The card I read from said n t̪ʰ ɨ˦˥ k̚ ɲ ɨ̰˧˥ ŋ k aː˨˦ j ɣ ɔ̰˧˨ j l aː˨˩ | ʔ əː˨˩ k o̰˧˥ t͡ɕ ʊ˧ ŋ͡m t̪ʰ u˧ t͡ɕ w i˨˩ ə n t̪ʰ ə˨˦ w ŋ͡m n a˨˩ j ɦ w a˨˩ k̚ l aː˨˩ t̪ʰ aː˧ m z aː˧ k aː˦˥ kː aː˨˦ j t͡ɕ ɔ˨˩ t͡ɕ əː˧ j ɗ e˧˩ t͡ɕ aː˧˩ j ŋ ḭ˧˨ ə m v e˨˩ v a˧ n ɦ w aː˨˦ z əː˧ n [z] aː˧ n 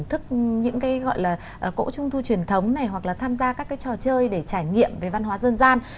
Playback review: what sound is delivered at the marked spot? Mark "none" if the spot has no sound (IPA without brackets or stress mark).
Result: z